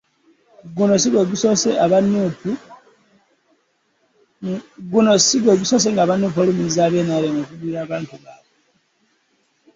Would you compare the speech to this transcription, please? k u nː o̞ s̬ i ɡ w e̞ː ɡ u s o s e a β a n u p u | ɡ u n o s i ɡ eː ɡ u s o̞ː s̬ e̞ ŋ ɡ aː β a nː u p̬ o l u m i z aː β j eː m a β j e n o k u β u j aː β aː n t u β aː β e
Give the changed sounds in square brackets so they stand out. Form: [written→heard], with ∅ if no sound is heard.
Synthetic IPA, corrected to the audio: [k→ɡ] u [nː→n] o̞ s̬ i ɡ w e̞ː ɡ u s o s e a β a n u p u | ɡ u n o s i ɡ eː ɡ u s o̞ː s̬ e̞ ŋ ɡ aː β a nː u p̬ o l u m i z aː β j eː [m→n] a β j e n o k u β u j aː β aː n t u β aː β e

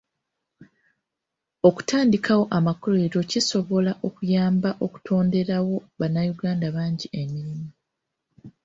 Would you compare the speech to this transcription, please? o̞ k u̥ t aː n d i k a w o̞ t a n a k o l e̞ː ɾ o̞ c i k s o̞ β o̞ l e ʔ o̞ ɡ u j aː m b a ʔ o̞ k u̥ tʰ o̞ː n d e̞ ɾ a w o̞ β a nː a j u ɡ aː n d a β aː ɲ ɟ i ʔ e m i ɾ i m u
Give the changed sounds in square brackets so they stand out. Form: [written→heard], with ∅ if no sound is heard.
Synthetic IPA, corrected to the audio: o̞ k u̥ t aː n d i k a w o̞ [t→ʔ] a [n→m] a k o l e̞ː ɾ o̞ c i [k→∅] s o̞ β o̞ l [e→a] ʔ o̞ [ɡ→k] u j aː m b a ʔ o̞ k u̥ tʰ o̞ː n d e̞ ɾ a w o̞ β a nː a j u ɡ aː n d a β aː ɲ ɟ i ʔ e m i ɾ i m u

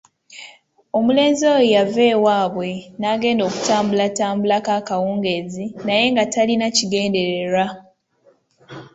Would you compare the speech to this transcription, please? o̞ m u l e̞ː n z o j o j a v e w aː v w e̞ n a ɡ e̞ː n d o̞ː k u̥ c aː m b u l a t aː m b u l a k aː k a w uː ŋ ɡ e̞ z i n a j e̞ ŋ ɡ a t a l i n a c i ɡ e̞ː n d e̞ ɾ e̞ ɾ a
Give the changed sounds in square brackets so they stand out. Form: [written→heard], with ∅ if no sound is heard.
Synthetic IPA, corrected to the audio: o̞ m u l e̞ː n z o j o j a v e w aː [v→β] w e̞ n a ɡ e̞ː n d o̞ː k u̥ [c→t] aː m b u l a t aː m b u l a k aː k a w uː ŋ ɡ e̞ z i n a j e̞ ŋ ɡ a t a l i n a c i ɡ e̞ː n d e̞ ɾ e̞ ɾ a

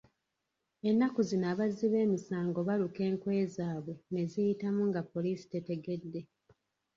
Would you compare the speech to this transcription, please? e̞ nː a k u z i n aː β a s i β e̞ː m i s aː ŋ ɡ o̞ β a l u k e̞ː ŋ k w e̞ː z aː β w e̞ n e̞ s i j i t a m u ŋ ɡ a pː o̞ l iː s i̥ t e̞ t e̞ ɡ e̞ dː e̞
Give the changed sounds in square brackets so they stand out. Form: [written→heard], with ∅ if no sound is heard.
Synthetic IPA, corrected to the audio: e̞ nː a k u z i n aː β a [s→z] i β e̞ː m i s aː ŋ ɡ o̞ β a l u k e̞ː ŋ k w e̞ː z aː β w e̞ n e̞ [s→z] i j i t a m u ŋ ɡ a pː o̞ l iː s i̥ t e̞ t e̞ ɡ e̞ dː e̞

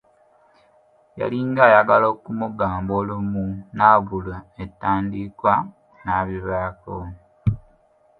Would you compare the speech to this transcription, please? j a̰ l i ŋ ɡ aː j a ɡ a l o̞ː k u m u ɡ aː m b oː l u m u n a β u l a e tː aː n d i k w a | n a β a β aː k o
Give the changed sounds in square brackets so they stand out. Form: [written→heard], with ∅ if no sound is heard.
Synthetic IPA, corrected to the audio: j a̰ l i ŋ ɡ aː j a ɡ a l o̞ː k u m u ɡ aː m b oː l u m u n a β u l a e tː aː n d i k w a | n a β [a→i] β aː k o

